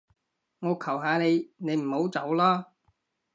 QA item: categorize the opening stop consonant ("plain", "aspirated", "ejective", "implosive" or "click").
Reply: aspirated